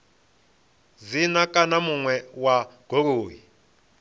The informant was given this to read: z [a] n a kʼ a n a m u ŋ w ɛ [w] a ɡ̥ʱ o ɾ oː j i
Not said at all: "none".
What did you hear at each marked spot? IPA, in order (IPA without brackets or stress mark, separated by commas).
i, w